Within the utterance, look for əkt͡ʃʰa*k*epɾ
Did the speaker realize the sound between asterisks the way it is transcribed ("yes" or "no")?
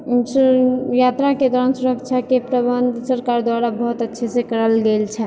yes